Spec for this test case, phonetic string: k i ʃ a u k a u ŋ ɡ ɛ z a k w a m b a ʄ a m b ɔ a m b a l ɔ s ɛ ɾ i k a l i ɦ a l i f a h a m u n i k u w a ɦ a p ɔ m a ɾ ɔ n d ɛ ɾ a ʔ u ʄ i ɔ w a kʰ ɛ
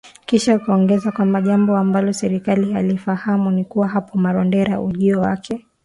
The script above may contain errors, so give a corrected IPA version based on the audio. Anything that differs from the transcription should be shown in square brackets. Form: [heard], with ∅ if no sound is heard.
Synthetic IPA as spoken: k i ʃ a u k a [ɔ] ŋ ɡ ɛ z a k w a m b a ʄ a m b ɔ a m b a l ɔ s ɛ ɾ i k a l i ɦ a l i f a h a m u n i k u w a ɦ a p ɔ m a ɾ ɔ n d ɛ ɾ a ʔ u ʄ i ɔ w a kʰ ɛ